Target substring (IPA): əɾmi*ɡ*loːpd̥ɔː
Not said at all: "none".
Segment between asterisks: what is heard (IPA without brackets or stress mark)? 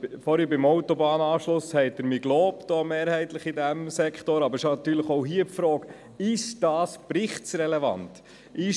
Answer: ɡ